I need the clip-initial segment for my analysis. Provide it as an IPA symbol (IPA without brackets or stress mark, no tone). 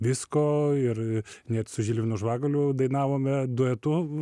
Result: ʋʲ